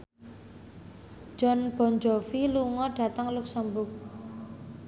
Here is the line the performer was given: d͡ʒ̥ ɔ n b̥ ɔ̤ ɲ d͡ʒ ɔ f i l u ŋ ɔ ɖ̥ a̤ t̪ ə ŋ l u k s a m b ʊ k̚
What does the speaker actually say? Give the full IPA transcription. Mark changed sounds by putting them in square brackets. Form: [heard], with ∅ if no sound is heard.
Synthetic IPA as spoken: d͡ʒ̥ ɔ n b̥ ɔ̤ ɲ d͡ʒ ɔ f i l u ŋ ɔ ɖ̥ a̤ t̪ ə ŋ l u k s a m b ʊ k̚

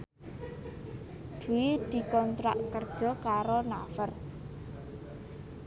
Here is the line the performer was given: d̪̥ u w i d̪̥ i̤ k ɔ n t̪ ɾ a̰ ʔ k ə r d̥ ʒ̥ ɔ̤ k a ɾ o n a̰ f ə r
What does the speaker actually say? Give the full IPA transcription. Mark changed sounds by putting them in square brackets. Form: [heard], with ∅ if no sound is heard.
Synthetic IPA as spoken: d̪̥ u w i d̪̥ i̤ k ɔ n t̪ ɾ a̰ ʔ k ə r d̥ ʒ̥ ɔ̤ k a ɾ o n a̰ f ə r

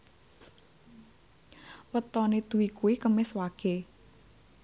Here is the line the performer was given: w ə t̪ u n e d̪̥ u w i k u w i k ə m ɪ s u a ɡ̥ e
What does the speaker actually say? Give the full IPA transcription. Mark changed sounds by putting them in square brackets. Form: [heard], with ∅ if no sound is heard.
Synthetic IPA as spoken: w ə t̪ [ɔ] n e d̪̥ u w i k u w i k ə m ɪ s [w] a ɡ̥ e

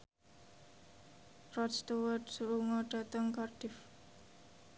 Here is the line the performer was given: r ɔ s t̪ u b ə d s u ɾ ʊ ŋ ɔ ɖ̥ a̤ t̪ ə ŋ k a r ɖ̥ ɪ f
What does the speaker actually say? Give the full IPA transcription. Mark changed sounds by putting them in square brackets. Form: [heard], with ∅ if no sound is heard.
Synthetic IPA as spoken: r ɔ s t̪ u [w] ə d s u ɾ [u] ŋ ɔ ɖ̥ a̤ t̪ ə ŋ k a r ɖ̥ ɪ f

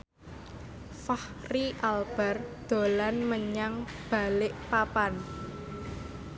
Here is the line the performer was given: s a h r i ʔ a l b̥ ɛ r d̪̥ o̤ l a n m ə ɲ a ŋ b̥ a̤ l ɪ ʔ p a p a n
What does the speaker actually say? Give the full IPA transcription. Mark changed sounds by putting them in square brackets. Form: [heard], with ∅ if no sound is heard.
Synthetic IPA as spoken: [f] a h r i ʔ a l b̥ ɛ r d̪̥ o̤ l a n m ə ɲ a ŋ b̥ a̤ l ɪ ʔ p a p a n

